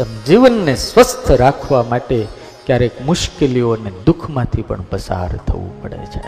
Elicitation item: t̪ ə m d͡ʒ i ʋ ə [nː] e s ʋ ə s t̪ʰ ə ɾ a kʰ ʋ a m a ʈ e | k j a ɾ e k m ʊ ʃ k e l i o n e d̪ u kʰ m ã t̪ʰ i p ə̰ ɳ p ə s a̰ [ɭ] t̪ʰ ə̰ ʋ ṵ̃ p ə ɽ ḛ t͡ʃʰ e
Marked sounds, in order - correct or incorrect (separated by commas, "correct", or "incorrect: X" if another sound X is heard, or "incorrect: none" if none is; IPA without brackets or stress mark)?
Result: correct, incorrect: ɾ